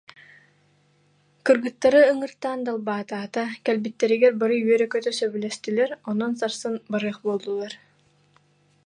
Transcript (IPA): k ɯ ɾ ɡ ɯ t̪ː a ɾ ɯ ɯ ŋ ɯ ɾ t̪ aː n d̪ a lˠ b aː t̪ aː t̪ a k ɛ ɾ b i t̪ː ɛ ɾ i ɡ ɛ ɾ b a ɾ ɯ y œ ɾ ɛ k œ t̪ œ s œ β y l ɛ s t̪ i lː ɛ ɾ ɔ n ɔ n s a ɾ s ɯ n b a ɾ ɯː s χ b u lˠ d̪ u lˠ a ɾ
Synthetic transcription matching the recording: k ɯ ɾ ɡ ɯ t̪ː a ɾ ɯ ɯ ŋ ɯ ɾ t̪ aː n d̪ a lˠ b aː t̪ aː t̪ a k ɛ l b i t̪ː ɛ ɾ i ɡ ɛ ɾ b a ɾ ɯ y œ ɾ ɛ k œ t̪ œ s œ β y l ɛ s t̪ i l ɛ ɾ ɔ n ɔ n s a ɾ s ɯ n b a ɾ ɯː χ b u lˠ d̪ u lˠ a ɾ